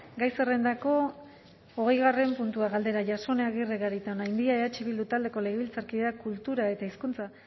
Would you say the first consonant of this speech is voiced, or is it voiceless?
voiced